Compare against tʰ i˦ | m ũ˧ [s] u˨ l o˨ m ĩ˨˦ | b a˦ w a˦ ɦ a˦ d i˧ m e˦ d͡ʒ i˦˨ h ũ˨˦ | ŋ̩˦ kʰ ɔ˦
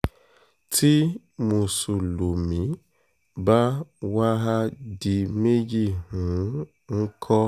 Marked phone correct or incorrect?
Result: correct